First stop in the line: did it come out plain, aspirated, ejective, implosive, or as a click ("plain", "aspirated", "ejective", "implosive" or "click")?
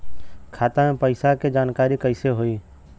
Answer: aspirated